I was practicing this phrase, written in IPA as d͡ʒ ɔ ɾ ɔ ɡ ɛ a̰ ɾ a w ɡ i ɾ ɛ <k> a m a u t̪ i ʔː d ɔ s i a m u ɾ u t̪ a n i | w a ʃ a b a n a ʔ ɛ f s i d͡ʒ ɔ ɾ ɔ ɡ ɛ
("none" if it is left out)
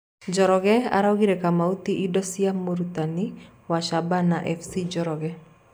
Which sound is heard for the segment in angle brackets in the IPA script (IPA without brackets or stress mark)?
k